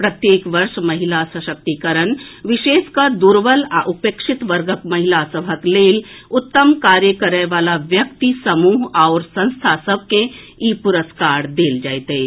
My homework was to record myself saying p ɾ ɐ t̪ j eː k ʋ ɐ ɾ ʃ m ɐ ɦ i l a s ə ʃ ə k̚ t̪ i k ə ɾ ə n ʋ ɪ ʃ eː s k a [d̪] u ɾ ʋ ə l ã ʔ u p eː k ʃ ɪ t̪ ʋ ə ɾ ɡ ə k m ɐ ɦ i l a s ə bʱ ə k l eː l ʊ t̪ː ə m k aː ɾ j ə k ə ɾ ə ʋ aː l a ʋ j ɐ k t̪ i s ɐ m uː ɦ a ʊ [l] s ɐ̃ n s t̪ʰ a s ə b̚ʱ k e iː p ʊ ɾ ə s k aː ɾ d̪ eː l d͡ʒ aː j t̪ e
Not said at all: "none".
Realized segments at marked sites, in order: d̪, ɾ

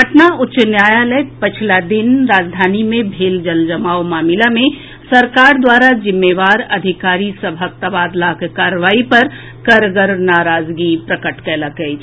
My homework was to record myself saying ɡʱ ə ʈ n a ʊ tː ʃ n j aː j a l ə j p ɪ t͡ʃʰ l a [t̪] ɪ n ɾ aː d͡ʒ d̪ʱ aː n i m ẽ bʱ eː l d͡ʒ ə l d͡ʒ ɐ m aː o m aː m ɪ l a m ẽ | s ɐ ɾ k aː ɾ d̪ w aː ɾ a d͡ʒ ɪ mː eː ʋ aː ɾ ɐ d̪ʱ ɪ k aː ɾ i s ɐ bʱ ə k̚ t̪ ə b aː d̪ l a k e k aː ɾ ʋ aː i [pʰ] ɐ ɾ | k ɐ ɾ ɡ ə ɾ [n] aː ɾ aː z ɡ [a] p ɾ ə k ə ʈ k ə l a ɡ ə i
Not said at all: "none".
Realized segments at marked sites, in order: d̪, p, n, i

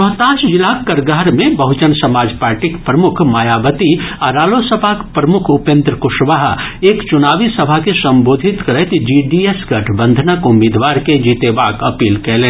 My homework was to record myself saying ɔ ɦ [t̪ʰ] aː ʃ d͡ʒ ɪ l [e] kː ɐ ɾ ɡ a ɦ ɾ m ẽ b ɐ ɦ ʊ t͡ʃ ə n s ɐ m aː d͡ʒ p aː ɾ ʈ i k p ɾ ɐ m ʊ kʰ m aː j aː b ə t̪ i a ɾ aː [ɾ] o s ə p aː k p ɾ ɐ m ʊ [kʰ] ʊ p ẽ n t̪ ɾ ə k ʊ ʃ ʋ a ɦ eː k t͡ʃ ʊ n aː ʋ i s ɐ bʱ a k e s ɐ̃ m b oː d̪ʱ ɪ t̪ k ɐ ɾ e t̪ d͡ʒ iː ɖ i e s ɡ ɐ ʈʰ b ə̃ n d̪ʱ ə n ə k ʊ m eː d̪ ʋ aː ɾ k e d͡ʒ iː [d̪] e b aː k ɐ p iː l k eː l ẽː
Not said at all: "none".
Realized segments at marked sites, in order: t̪, a, l, kʰ, t̪

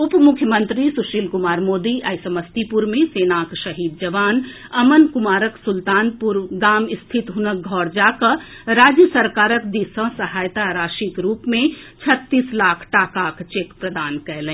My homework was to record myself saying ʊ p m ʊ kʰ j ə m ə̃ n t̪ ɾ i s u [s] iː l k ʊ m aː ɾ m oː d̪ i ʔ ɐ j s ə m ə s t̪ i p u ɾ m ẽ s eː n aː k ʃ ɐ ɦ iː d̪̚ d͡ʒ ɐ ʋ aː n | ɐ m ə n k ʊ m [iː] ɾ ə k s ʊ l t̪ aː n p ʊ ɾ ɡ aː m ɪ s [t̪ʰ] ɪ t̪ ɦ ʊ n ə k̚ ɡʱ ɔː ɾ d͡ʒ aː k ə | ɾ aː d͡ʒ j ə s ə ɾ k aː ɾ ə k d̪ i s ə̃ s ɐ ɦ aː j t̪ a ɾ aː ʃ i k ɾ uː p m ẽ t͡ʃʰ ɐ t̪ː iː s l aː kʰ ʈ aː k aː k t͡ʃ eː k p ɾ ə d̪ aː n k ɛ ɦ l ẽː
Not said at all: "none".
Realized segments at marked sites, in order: ʃ, aː, t̪ʰ

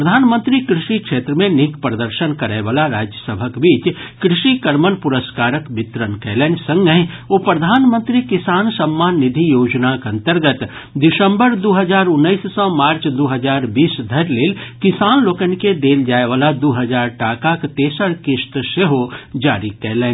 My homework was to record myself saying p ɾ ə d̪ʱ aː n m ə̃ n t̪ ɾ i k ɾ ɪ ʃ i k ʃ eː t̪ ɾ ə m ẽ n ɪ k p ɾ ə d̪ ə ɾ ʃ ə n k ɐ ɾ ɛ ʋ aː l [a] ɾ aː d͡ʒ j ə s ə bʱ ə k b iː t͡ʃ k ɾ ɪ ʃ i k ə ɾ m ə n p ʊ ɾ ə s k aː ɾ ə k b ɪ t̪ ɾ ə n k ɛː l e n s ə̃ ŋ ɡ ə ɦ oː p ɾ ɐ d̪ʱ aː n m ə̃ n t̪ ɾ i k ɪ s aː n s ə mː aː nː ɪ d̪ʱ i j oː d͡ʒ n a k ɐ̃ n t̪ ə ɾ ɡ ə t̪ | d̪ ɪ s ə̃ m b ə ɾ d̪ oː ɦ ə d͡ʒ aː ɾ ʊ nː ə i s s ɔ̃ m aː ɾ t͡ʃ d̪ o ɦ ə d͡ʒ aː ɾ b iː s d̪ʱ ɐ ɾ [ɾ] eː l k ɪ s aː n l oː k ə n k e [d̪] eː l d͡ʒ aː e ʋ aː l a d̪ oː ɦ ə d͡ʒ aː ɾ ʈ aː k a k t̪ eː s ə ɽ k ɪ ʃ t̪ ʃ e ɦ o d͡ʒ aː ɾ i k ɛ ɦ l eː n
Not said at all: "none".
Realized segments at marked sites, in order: a, l, d̪

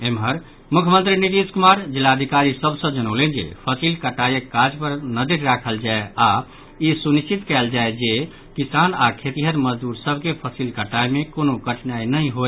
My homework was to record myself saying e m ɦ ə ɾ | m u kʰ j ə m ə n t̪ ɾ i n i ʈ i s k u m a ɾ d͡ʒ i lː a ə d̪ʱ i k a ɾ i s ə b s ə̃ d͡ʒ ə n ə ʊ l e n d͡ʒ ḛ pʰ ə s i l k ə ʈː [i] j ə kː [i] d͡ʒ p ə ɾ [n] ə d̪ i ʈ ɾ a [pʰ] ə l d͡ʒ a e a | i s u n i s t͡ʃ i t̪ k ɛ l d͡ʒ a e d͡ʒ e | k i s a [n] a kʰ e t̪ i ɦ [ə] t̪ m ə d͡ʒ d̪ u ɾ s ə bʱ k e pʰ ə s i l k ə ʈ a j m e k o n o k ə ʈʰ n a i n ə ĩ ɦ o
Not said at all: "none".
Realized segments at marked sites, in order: a, a, n, kʰ, n, ə

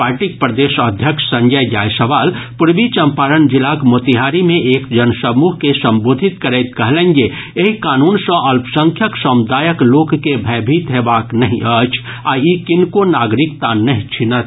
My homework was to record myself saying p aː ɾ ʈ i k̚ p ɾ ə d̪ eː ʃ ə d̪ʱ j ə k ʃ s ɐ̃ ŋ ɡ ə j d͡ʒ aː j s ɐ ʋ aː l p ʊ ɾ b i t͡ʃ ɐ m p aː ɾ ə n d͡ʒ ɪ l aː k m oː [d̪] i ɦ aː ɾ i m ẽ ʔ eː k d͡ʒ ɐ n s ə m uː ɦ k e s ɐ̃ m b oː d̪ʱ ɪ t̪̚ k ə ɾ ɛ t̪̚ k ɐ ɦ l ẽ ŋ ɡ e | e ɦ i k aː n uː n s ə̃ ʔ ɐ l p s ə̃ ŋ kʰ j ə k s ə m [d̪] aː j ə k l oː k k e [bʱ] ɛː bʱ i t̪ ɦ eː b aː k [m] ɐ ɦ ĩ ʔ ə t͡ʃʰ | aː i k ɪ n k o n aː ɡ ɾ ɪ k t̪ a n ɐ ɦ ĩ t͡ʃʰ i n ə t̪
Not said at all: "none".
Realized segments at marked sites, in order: t̪, d̪, bʱ, n

